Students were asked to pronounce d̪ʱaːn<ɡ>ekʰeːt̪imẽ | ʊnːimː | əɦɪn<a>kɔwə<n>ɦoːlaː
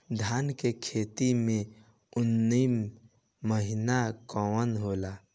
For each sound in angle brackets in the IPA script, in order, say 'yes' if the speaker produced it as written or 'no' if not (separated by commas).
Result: no, yes, yes